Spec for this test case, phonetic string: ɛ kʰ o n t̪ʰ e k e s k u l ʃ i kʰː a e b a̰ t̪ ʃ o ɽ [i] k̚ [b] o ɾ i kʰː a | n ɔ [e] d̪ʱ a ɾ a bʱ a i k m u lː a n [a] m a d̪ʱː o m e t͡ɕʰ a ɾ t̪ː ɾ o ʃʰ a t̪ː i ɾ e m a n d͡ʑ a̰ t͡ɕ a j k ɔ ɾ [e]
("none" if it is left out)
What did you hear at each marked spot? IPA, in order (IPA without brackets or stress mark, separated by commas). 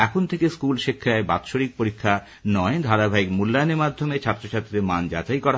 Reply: i, p, e, e, a